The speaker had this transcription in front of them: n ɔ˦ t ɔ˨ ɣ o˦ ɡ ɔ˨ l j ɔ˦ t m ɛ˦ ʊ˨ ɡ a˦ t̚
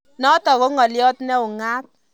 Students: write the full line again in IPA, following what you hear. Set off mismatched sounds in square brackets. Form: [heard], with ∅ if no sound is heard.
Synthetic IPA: n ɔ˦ t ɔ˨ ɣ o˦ [ŋ] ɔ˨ l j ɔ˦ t [n] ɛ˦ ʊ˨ [ŋ] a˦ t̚